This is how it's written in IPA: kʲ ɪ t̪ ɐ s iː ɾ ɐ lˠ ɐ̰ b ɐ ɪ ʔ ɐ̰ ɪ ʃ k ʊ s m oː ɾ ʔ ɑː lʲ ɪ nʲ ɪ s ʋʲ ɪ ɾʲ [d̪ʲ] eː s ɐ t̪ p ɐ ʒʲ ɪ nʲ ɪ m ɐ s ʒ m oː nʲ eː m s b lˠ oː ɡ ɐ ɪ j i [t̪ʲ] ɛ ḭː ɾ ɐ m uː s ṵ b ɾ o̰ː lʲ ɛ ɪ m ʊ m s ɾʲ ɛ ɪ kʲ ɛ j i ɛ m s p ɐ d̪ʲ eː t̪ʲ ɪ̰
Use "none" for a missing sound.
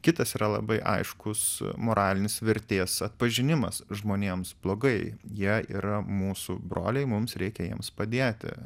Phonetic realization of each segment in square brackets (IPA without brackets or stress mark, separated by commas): t̪ʲ, none